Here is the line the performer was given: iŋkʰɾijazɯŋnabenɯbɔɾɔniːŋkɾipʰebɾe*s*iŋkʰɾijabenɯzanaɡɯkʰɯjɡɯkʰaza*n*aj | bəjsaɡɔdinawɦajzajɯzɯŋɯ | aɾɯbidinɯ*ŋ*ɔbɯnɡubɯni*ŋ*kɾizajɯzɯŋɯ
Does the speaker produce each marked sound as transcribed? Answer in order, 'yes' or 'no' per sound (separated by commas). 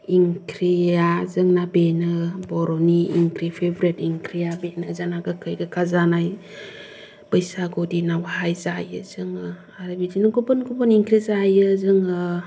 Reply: no, yes, no, yes